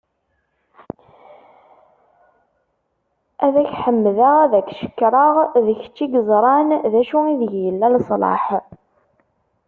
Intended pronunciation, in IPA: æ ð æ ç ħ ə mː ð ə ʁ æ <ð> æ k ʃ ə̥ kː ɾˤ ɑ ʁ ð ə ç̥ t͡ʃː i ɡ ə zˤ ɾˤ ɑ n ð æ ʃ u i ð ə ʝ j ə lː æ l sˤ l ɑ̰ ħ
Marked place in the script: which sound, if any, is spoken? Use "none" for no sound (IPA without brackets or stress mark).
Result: ð